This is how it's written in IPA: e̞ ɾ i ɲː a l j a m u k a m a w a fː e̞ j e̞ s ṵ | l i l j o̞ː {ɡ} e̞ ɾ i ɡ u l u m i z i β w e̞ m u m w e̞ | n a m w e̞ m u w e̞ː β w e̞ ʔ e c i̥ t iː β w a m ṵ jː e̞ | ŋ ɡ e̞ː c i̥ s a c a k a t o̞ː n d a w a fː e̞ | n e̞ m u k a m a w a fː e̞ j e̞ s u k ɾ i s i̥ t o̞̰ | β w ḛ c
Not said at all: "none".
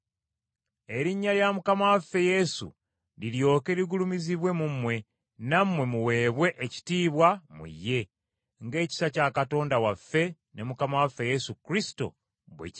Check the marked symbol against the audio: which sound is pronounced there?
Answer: k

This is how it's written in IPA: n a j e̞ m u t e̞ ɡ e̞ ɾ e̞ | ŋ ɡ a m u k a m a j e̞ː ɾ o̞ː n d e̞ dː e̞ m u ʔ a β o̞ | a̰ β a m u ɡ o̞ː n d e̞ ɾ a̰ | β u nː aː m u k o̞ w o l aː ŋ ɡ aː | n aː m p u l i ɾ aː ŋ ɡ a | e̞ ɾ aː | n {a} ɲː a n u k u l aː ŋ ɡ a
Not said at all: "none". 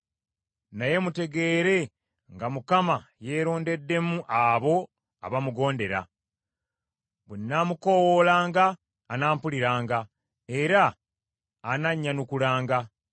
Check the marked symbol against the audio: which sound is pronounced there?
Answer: a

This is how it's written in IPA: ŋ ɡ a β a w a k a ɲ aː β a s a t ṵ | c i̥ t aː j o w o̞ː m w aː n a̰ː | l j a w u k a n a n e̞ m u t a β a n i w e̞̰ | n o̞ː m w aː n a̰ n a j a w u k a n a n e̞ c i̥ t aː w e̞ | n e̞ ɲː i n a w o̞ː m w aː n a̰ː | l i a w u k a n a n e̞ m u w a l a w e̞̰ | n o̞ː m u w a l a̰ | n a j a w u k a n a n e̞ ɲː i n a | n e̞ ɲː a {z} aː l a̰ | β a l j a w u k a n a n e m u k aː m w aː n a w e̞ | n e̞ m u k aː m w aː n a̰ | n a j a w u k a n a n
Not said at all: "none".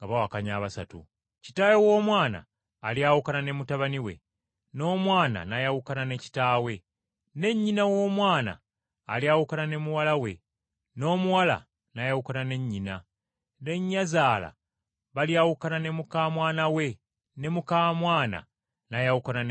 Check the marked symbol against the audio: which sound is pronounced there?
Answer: z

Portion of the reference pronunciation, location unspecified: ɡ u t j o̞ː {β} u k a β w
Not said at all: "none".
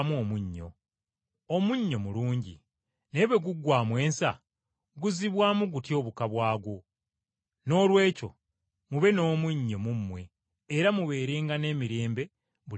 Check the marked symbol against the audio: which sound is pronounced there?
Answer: β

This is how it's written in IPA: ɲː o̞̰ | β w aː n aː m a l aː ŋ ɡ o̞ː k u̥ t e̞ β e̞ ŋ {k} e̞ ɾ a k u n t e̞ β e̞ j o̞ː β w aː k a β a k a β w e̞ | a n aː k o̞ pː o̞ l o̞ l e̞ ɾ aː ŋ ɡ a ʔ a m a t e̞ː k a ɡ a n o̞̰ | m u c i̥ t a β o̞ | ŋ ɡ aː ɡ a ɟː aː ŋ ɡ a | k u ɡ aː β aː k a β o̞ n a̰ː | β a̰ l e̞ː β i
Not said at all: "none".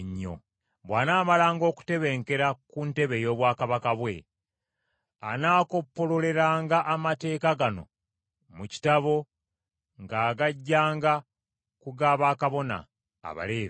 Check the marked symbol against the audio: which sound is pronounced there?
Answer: k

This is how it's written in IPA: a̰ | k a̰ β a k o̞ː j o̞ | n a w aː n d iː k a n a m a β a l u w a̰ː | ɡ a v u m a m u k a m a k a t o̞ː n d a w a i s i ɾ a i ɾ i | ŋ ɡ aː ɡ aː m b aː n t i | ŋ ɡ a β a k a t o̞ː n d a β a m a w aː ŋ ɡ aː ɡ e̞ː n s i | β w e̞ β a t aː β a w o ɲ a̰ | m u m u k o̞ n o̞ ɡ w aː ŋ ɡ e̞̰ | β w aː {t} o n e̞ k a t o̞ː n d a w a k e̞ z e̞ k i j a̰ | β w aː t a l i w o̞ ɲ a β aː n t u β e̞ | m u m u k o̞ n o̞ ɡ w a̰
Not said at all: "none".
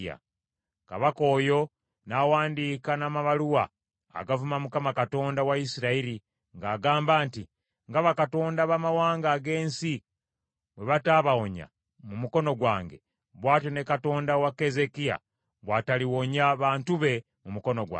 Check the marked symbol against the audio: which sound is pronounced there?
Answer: t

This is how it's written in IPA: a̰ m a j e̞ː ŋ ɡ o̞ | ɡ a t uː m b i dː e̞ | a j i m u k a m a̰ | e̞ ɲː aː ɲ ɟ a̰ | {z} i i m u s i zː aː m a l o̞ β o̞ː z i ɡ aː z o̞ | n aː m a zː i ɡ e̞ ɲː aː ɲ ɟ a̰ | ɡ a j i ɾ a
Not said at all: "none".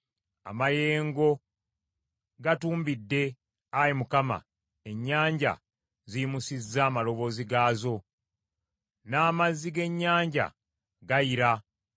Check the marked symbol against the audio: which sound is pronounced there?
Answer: z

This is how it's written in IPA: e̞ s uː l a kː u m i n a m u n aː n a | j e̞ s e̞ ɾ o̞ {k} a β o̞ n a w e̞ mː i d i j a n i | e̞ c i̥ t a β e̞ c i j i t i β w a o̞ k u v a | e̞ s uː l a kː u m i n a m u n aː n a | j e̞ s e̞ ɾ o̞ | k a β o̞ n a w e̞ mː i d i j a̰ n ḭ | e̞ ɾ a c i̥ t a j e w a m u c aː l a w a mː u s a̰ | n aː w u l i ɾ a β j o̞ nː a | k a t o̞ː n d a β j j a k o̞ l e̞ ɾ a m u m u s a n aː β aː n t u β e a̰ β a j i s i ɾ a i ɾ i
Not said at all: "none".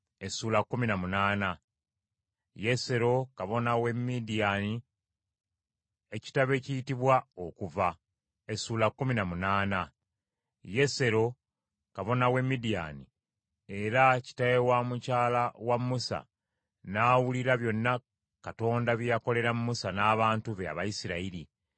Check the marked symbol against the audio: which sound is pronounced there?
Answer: k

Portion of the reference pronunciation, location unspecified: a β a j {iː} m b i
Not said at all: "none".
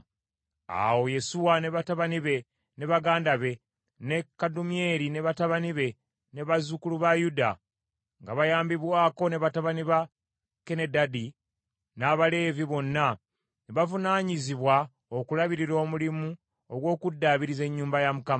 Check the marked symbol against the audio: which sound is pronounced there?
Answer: aː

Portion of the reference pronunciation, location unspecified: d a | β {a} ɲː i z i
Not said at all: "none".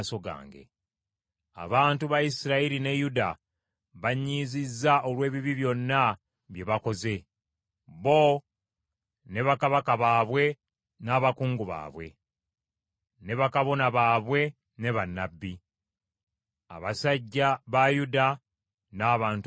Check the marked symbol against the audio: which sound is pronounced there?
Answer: a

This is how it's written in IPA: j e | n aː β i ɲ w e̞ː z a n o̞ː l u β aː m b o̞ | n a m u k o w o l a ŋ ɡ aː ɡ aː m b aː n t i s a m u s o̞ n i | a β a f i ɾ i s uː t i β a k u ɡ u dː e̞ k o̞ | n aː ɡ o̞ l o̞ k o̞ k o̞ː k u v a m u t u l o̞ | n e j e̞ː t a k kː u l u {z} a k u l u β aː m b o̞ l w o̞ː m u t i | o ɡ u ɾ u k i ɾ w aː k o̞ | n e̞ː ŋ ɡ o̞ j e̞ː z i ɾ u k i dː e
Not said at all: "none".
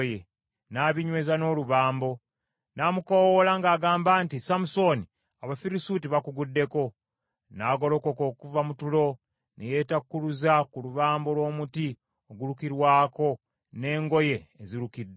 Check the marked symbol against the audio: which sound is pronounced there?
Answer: z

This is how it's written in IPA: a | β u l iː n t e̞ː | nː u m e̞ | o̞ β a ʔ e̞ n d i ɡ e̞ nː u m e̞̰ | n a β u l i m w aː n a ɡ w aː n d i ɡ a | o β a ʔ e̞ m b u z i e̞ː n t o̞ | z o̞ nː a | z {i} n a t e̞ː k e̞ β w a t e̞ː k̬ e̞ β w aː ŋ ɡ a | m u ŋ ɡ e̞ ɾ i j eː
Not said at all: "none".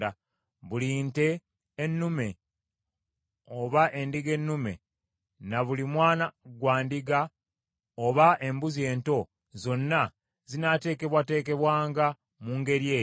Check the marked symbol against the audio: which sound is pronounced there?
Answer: i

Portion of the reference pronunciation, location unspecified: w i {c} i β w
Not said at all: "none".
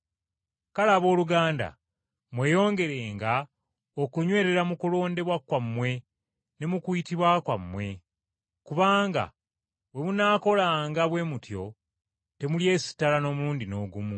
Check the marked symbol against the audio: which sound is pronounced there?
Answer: t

